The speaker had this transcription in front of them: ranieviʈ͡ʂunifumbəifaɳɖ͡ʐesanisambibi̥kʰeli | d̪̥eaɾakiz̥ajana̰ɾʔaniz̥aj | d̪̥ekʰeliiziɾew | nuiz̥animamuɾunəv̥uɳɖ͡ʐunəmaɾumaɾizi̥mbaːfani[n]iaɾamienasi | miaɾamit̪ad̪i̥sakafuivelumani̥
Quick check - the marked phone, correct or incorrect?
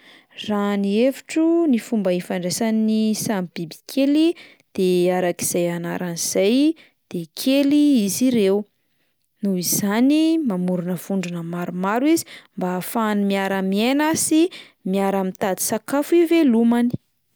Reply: incorrect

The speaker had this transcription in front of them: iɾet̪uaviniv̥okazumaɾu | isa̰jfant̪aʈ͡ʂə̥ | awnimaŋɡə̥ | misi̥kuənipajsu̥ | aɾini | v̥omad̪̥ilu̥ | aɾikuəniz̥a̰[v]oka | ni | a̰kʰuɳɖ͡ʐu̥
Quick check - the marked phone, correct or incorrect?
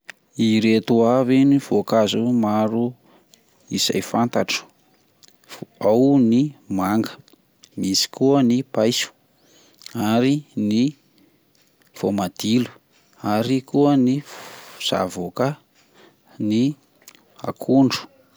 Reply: correct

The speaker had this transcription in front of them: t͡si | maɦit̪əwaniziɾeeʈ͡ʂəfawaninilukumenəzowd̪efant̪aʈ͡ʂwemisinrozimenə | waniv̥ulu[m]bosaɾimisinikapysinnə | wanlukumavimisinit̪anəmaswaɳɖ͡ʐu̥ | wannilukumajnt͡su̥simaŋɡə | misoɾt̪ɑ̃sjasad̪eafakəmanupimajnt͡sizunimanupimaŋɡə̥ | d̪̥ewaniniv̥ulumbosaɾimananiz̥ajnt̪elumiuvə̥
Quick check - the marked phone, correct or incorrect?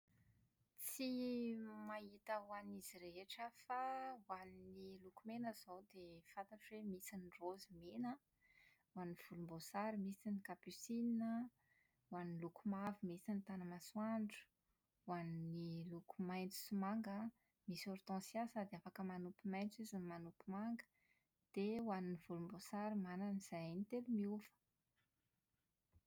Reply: correct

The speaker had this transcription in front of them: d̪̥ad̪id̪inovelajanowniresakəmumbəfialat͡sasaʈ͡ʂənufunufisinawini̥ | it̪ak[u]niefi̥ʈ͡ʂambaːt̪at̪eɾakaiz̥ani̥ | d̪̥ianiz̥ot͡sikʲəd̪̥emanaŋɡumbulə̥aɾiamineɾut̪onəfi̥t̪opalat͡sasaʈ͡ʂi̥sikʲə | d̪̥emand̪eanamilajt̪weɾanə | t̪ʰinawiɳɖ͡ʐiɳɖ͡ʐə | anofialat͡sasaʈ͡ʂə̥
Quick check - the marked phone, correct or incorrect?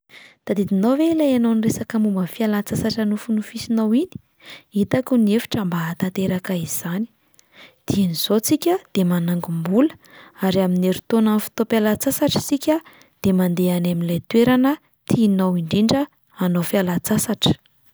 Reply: correct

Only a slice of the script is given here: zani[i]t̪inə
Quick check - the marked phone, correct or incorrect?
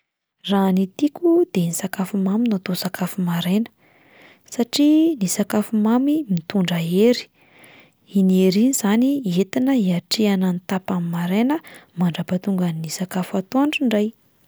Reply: incorrect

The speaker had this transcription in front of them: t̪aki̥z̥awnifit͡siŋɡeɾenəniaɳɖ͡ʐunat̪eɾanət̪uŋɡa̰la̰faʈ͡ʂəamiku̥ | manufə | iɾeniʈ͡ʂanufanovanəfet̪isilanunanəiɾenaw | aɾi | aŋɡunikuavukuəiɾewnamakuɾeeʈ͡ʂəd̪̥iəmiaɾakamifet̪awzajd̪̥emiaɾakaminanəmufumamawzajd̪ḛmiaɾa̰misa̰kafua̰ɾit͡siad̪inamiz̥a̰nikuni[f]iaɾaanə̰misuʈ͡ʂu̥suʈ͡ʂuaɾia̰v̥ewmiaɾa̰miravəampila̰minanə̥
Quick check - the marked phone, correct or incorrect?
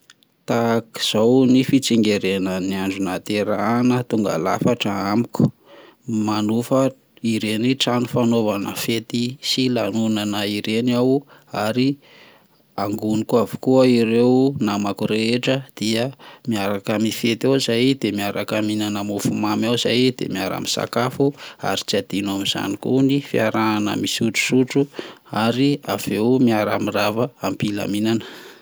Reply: correct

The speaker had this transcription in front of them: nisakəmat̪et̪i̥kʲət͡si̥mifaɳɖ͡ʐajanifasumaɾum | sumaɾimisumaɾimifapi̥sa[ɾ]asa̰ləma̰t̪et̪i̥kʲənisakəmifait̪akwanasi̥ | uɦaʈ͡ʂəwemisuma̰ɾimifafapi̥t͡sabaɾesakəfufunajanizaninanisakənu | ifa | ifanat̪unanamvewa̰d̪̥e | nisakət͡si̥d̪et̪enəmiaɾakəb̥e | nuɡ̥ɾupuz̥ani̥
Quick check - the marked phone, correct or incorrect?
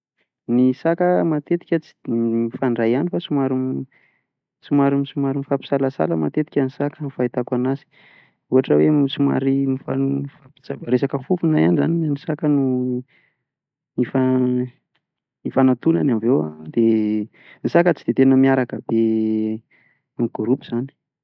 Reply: incorrect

